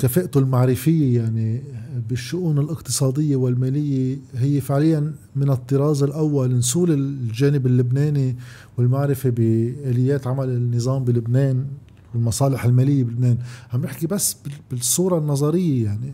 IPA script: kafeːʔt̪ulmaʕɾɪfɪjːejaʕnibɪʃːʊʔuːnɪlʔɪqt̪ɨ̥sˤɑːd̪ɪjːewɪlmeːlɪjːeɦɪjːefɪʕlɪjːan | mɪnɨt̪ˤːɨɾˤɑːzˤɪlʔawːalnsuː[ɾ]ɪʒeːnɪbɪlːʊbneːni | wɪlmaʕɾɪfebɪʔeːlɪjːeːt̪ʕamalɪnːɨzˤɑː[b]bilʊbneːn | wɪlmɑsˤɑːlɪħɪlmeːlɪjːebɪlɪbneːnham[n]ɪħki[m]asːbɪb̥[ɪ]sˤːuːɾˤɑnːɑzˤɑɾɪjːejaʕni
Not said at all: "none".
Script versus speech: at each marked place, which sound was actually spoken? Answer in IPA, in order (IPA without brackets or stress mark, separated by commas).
l, m, n, b, ɪ